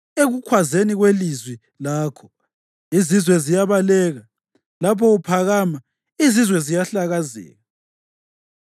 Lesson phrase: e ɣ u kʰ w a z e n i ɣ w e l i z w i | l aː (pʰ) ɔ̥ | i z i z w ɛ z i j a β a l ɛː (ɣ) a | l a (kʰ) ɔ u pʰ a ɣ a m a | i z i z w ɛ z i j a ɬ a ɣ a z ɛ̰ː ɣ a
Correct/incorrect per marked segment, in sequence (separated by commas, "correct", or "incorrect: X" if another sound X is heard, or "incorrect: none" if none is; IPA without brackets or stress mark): incorrect: kʰ, correct, incorrect: pʰ